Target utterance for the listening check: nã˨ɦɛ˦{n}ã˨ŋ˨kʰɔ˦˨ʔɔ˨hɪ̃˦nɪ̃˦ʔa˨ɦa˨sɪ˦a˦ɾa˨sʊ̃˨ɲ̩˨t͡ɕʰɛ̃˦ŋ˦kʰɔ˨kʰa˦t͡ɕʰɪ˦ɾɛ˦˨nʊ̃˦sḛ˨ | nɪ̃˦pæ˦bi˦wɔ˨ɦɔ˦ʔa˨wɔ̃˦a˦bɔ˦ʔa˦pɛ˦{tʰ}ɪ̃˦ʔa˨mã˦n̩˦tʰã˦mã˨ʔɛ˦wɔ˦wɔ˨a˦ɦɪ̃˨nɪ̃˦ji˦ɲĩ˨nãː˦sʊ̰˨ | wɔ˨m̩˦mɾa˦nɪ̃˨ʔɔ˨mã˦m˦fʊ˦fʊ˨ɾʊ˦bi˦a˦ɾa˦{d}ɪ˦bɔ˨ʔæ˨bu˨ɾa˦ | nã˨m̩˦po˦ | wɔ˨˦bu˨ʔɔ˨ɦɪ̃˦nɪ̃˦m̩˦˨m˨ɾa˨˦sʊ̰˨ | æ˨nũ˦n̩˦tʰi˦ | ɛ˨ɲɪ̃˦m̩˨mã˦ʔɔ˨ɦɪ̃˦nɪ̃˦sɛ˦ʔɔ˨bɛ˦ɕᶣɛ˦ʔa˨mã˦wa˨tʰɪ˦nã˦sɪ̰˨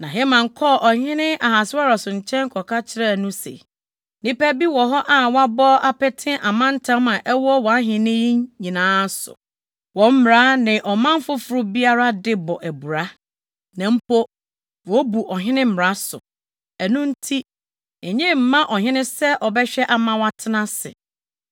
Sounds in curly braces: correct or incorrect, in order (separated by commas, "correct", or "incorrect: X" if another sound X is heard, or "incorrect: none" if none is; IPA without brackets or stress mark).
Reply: incorrect: m, correct, correct